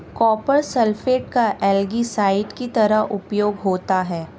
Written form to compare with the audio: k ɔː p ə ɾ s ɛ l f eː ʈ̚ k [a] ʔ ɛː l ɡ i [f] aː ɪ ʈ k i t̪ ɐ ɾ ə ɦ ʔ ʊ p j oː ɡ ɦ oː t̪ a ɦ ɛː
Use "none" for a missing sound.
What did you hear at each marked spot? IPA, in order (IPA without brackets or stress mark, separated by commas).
a, s